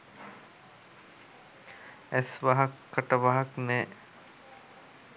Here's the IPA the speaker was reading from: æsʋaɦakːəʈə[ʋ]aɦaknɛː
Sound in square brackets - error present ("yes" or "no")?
no